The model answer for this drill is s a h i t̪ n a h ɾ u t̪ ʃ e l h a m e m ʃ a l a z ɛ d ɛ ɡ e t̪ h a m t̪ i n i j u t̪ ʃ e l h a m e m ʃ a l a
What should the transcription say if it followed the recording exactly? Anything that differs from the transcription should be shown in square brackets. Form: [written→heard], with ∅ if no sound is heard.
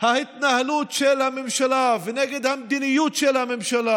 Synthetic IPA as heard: [s→h] a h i t̪ n a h [ɾ→l] u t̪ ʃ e l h a m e m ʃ a l a [z→v] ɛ [d→n] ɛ ɡ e [t̪→d̪] h a m [t̪→d̪] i n i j u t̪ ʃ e l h a m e m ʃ a l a